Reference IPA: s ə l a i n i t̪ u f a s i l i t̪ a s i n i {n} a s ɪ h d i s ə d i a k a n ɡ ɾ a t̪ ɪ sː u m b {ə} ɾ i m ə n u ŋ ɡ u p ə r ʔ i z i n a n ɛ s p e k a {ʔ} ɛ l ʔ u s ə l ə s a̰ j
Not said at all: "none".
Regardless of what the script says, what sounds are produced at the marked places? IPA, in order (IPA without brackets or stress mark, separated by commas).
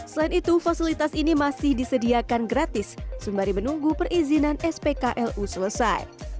m, a, ʔ